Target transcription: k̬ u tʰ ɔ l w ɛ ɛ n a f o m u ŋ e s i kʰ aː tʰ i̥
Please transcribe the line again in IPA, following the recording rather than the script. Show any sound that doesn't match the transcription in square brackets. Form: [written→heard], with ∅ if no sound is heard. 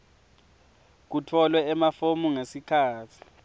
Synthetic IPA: k̬ u tʰ ɔ l w ɛ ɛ [n→m] a f o m u ŋ e s i kʰ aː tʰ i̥